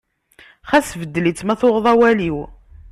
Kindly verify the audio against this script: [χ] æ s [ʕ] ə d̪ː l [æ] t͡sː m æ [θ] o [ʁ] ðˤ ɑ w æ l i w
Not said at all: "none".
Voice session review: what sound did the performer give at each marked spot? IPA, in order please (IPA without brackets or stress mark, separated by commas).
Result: χ, v, i, θ, ʁ